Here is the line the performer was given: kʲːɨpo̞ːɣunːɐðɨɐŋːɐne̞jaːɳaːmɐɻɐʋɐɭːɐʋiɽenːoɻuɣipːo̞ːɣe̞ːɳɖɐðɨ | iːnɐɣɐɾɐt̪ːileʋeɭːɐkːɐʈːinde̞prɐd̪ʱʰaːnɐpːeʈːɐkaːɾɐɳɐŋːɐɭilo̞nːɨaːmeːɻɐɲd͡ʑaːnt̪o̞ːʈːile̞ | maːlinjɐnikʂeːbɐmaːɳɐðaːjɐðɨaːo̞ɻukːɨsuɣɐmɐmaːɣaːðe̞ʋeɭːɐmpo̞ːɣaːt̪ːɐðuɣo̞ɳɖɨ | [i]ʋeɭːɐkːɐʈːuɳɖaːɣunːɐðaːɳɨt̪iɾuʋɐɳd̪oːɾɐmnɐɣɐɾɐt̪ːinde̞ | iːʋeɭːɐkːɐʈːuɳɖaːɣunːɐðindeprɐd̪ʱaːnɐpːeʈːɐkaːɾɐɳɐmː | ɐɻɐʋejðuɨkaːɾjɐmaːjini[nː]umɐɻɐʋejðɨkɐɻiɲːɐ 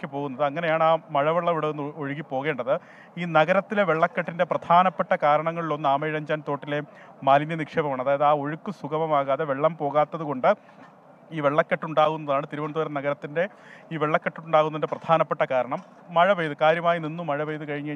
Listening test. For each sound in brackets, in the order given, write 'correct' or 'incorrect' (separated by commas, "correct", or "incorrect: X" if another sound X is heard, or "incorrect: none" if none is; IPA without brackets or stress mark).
incorrect: iː, correct